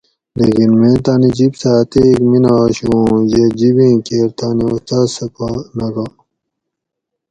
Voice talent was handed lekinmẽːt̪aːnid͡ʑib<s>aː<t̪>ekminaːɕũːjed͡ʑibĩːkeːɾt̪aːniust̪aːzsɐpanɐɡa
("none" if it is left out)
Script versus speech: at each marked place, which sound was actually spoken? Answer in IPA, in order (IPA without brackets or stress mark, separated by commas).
s, t̪